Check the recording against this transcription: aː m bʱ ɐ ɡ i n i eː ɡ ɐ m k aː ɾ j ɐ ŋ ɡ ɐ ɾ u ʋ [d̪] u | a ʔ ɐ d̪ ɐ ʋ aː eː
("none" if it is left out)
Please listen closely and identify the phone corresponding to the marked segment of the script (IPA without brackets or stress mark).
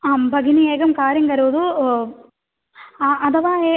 d̪